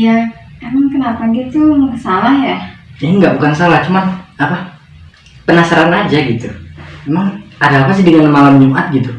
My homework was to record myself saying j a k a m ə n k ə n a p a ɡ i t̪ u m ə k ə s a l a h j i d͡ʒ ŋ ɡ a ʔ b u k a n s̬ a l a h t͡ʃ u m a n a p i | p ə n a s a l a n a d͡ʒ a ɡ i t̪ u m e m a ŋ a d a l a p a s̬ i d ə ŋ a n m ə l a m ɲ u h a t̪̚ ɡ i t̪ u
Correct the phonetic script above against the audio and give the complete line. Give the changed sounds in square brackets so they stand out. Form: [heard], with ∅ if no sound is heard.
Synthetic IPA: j a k a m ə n k ə n a p a ɡ i t̪ u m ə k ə s a l a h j [a] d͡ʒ ŋ ɡ a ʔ b u k a n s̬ a l a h t͡ʃ u m a n a p [a] | p ə n a s a [ɾ] a n a d͡ʒ a ɡ i t̪ u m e m a ŋ a d a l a p a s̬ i d ə ŋ a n m [a] l a m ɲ u [∅] a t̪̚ ɡ i t̪ u

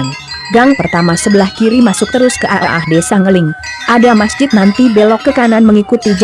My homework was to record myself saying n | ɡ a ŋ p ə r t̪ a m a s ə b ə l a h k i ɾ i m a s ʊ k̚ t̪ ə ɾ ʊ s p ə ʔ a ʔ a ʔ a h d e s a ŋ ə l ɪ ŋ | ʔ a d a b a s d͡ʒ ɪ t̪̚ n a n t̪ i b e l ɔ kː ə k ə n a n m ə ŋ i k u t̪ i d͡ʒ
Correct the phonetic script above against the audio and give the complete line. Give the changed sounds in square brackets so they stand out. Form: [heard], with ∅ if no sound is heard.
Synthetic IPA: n | ɡ a ŋ p ə r t̪ a m a s ə b ə l a h k i ɾ i m a s ʊ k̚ t̪ ə ɾ ʊ s [k] ə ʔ a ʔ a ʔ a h d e s a ŋ ə l ɪ ŋ | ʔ a d a [m] a s d͡ʒ ɪ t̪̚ n a n t̪ i b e l ɔ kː ə k [a] n a n m ə ŋ i k u t̪ i d͡ʒ

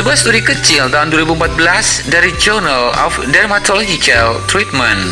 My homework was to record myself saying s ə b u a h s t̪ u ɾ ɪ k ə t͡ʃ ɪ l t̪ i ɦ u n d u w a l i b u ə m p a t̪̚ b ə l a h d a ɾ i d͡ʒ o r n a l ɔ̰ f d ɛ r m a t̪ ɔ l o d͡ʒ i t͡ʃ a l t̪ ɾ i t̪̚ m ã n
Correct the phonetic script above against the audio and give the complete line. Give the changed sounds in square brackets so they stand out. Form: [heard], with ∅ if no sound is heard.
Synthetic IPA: s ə b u a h s t̪ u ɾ [i] k ə t͡ʃ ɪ l t̪ [a] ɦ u n d u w a [ɾ] i b u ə m p a t̪̚ b ə l a [s] d a ɾ i d͡ʒ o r n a l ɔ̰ f d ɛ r m a t̪ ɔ l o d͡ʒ i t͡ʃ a l t̪ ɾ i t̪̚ m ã n

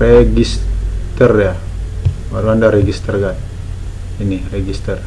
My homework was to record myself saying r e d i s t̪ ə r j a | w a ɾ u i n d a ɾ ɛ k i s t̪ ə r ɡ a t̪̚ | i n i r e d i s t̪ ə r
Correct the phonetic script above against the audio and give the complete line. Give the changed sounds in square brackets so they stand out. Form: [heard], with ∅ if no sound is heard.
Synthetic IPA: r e [ɡ] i s t̪ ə r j a | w a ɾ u [a] n d a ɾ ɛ [ɡ] i s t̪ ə r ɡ a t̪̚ | i n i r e [ɡ] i s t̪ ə r

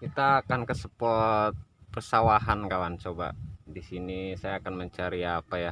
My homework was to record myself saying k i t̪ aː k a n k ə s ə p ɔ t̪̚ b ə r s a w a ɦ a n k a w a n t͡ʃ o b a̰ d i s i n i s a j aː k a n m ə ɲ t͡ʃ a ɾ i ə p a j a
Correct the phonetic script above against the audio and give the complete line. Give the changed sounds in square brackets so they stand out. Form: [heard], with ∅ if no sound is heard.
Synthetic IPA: k i t̪ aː k a n k ə s ə p ɔ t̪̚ [p] ə r s a w a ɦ a n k a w a n t͡ʃ o b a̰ d i s i n i s a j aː k a n m ə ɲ t͡ʃ a ɾ i [a] p a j a

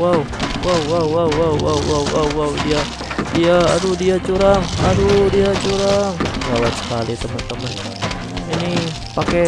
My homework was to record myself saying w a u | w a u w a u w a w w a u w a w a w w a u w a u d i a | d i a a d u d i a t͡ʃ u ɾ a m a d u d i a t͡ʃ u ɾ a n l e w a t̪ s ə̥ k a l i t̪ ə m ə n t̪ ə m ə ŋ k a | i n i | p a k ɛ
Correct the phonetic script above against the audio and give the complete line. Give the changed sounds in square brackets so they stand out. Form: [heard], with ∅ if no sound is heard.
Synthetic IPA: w a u | w a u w a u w a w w a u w a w a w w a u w a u d i a | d i a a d u d i a t͡ʃ u ɾ a [ŋ] a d u d i a t͡ʃ u ɾ a [ŋ] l [a] w a t̪ s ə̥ k a l i t̪ ə m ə n t̪ ə m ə [n] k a | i n i | p a k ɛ

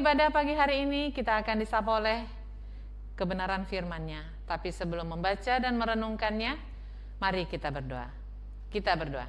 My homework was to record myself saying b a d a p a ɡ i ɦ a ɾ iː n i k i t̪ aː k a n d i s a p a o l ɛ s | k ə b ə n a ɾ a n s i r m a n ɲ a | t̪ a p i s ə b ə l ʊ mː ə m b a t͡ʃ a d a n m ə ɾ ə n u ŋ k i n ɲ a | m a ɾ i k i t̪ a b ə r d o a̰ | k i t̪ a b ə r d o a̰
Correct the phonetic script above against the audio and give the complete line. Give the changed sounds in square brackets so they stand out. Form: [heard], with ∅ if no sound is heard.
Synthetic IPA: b a d a p a ɡ i ɦ a ɾ iː n i k i t̪ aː k a n d i s a p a o l ɛ [h] | k ə b ə n a ɾ a n [f] i r m a n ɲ a | t̪ a p i s ə b ə l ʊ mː ə m b a t͡ʃ a d a n m ə ɾ ə n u ŋ k [a] n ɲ a | m a ɾ i k i t̪ a b ə r d o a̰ | k i t̪ a b ə r d o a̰

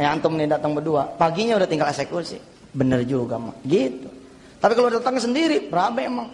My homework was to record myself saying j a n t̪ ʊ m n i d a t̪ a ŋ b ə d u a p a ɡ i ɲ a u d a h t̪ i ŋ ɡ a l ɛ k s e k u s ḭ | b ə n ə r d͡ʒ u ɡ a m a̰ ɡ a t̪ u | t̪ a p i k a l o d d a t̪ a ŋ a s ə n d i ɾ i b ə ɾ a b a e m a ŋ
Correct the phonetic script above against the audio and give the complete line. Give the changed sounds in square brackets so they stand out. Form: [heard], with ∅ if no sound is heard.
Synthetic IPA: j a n t̪ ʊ m n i d a t̪ a ŋ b ə d u a p a ɡ i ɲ a u d a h t̪ i ŋ ɡ a l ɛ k s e k u s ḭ | b ə n ə r d͡ʒ u ɡ a m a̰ ɡ [i] t̪ u | t̪ a p i k a l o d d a t̪ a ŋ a s ə n d i ɾ i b ə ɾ a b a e m a ŋ

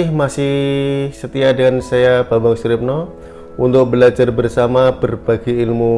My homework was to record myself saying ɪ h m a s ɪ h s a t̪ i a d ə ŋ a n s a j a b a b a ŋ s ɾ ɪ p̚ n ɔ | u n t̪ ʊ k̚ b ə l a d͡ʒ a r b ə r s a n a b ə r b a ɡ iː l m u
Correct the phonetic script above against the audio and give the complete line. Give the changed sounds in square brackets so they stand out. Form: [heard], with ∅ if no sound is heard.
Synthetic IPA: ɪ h m a s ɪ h s [ə] t̪ i a d ə ŋ a n s a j a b a b a ŋ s ɾ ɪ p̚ n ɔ | u n t̪ ʊ k̚ b ə l a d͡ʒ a r b ə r s a [m] a b ə r b a ɡ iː l m u

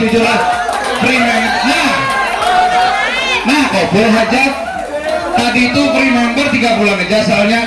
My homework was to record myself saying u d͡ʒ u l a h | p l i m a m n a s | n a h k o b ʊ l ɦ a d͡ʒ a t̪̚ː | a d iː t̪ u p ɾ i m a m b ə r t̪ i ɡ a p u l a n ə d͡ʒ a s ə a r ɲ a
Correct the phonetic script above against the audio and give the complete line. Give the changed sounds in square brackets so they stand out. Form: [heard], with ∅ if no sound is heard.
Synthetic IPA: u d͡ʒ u l a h | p [ɾ] i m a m n a [h] | n a h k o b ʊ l ɦ a d͡ʒ a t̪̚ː | a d iː t̪ u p ɾ i m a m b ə r t̪ i ɡ a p u l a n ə d͡ʒ a s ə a [l] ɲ a

